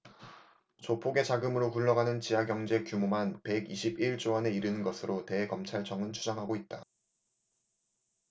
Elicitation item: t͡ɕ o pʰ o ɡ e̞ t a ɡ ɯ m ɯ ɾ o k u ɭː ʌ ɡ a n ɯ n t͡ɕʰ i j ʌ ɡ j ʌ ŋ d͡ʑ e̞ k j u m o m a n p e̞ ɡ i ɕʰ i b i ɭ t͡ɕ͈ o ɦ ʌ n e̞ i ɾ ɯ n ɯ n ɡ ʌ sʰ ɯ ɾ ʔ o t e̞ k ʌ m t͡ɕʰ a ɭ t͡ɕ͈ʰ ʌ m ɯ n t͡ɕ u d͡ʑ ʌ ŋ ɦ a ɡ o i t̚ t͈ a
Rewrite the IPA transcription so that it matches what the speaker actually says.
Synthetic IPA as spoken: t͡ɕ o pʰ o ɡ e̞ t͡ɕ a ɡ ɯ m ɯ ɾ o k u ɭː ʌ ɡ a n ɯ n t͡ɕ i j a ɡ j ʌ ŋ d͡ʑ e̞ k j u m o m a n p e̞ ɡ i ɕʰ i b i ɭ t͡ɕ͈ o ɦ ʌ n e̞ i ɾ ɯ n ɯ n ɡ ʌ sʰ ɯ ɾ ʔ o t e̞ k ʌ m t͡ɕʰ a ɭ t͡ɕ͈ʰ ʌ ŋ ɯ n t͡ɕʰ u d͡ʑ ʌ ŋ ɦ a ɡ o i t̚ t͈ a